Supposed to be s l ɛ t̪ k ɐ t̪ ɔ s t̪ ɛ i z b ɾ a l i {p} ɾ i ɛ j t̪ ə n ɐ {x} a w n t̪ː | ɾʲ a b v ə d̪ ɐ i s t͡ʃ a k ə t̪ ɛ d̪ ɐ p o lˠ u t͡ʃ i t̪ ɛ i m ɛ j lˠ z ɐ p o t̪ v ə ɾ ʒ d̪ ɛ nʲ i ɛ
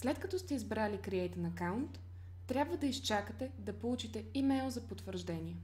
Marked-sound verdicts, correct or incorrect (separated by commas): incorrect, incorrect